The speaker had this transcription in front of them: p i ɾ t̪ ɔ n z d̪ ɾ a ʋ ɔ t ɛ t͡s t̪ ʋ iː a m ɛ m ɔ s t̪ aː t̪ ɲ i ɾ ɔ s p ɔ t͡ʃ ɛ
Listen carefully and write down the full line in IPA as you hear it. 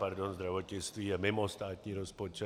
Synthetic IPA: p a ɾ d̪ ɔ n z d̪ ɾ a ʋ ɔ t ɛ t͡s t̪ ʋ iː a m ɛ m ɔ s t̪ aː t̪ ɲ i ɾ ɔ s p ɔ t͡ʃ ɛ